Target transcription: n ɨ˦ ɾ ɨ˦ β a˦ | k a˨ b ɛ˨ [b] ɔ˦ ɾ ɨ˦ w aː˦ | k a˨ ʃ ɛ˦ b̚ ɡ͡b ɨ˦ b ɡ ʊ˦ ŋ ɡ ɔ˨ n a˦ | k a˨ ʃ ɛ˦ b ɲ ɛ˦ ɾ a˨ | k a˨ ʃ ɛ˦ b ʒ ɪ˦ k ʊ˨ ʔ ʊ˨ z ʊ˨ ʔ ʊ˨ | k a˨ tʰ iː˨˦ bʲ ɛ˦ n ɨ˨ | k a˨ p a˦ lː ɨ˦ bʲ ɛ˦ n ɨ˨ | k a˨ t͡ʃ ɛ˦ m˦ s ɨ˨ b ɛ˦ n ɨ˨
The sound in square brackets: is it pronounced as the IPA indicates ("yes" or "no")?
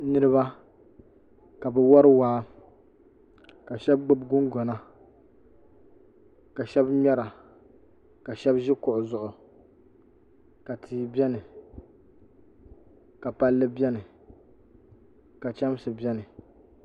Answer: no